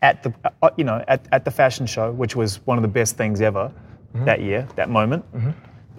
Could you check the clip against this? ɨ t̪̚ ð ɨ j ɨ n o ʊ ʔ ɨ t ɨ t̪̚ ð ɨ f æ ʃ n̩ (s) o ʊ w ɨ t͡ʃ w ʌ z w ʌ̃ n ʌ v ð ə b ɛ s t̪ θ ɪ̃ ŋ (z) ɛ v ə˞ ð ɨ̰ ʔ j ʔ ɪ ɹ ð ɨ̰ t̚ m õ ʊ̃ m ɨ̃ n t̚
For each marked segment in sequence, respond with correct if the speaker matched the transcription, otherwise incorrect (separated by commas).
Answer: incorrect, correct